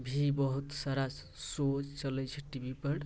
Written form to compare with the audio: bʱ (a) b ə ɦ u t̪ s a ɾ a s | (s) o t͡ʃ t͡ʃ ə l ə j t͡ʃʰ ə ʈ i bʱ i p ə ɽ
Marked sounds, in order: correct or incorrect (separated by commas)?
incorrect, correct